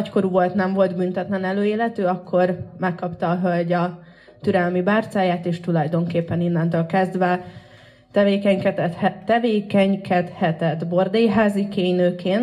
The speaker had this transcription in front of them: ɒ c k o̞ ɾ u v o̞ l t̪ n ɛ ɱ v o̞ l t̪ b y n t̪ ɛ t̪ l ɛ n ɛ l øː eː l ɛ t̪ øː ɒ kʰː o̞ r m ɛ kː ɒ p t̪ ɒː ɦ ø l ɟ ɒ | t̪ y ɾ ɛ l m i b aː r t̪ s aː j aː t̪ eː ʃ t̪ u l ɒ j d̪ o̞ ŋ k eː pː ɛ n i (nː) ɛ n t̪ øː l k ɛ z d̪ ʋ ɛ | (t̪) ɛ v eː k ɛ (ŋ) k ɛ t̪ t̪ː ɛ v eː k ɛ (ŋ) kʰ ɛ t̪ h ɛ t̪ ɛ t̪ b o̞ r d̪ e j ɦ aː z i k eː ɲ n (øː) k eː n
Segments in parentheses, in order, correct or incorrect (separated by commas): correct, correct, incorrect, incorrect, correct